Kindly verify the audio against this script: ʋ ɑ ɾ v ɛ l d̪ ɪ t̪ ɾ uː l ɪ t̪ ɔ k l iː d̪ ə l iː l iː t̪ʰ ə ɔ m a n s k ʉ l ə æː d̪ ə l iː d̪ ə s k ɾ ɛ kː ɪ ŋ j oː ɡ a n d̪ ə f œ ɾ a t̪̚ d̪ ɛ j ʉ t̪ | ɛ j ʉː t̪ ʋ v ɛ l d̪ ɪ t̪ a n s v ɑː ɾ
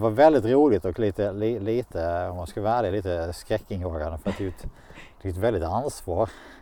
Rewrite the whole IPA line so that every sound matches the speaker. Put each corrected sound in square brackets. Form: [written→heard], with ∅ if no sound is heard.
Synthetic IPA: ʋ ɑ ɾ v ɛ l d̪ ɪ t̪ ɾ uː l ɪ t̪ ɔ k l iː [d̪→t̪] ə l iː l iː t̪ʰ ə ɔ m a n s k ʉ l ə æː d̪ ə l iː [d̪→t̪] ə s k ɾ ɛ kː ɪ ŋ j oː ɡ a n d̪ ə f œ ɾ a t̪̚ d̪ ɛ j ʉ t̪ | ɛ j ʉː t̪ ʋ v ɛ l d̪ ɪ t̪ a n s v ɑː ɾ